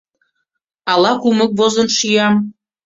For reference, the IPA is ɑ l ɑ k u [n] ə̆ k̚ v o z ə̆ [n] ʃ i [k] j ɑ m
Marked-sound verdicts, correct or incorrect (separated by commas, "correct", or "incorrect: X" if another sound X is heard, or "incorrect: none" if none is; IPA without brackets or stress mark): incorrect: m, correct, incorrect: none